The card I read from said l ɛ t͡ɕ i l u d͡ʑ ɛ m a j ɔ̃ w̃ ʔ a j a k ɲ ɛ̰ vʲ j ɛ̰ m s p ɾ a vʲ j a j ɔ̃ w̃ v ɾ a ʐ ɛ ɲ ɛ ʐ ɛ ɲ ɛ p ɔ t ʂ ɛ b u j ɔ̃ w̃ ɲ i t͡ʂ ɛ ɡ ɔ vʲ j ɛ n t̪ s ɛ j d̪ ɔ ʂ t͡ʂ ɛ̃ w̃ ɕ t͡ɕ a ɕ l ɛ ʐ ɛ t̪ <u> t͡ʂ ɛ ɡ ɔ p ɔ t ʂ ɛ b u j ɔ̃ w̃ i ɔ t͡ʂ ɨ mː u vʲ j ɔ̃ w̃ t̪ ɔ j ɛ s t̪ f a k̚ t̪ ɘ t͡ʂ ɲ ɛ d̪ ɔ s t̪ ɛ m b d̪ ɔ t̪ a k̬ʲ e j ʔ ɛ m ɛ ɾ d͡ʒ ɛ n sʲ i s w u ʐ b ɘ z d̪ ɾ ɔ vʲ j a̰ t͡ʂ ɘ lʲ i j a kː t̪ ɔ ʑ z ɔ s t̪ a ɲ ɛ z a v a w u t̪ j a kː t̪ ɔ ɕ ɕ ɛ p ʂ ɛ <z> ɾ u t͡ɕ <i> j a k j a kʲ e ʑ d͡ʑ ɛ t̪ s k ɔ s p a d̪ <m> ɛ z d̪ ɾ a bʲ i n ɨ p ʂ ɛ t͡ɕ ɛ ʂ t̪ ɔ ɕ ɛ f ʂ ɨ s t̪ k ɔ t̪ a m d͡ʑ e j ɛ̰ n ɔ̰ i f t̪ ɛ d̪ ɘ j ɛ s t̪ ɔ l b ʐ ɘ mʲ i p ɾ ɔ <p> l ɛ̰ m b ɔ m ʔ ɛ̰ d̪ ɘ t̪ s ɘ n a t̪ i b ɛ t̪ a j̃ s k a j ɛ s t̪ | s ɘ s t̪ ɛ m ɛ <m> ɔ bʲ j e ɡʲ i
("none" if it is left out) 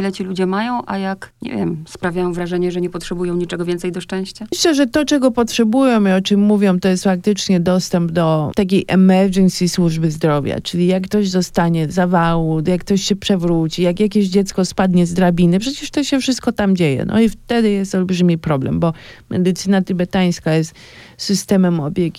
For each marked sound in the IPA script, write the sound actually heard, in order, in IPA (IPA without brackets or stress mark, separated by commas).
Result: ɔ, v, i, ɲ, b, m